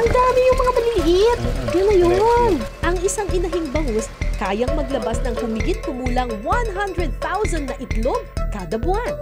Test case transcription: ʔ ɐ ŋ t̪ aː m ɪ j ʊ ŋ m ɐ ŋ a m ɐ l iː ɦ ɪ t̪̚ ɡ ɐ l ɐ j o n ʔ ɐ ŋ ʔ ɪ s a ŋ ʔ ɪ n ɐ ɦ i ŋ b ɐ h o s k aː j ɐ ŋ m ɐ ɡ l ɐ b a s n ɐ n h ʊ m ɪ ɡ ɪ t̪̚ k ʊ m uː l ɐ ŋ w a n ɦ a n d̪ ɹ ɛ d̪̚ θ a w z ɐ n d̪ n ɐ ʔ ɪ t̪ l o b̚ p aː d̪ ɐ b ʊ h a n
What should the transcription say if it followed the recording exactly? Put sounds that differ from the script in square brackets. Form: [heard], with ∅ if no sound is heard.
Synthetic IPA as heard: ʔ ɐ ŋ [d̪] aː m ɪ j ʊ ŋ m ɐ ŋ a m ɐ l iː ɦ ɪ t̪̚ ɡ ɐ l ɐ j o n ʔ ɐ ŋ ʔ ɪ s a ŋ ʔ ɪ n ɐ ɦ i ŋ b ɐ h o s k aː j ɐ ŋ m ɐ ɡ l ɐ b a s n ɐ [ŋ] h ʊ m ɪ ɡ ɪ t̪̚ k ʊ m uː l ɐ ŋ w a n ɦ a n d̪ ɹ ɛ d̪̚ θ a w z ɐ n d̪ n ɐ ʔ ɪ t̪ l o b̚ [k] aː d̪ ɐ b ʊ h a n